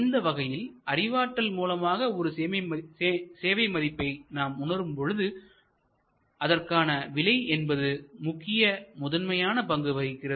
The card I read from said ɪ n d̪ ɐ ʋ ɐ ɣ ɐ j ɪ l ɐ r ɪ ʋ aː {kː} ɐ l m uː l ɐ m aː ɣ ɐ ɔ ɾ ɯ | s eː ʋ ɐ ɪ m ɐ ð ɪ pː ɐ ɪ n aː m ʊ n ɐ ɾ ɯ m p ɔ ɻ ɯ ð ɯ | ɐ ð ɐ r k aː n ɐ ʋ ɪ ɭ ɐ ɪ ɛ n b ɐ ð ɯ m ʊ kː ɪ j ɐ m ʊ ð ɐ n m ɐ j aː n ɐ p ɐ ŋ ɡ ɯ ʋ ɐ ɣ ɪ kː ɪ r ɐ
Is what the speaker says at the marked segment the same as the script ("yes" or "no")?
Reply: no